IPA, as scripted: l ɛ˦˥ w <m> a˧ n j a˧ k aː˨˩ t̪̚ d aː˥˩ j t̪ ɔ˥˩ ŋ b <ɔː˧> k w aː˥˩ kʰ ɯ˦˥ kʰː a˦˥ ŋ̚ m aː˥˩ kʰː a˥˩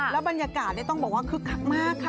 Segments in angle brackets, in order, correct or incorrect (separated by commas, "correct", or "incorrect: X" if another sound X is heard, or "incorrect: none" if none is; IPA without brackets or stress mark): incorrect: b, incorrect: ɔː˨˩